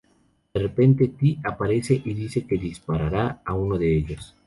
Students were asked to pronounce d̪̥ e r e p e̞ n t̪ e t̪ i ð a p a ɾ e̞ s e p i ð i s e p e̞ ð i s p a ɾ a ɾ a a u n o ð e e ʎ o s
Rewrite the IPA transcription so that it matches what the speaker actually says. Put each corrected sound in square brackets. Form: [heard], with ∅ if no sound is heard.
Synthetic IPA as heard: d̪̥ e r e p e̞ n t̪ e t̪ i [∅] a p a ɾ e̞ s e [ʔ] i ð i s e [k] e̞ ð i s p a ɾ a ɾ a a u n o ð e e ʎ o s